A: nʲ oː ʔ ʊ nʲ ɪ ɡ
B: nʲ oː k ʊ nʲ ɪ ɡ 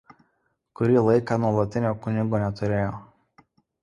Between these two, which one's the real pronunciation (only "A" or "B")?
B